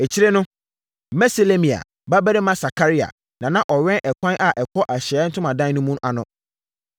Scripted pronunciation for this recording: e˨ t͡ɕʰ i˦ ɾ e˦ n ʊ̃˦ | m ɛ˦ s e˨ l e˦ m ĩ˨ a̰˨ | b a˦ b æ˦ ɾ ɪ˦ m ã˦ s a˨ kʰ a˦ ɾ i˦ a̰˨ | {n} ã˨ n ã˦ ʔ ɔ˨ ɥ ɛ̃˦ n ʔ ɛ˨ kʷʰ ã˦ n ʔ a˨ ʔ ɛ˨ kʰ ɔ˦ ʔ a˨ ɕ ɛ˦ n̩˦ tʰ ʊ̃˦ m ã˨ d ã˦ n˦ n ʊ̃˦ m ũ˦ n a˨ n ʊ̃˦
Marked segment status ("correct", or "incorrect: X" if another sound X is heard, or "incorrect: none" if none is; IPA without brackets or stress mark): correct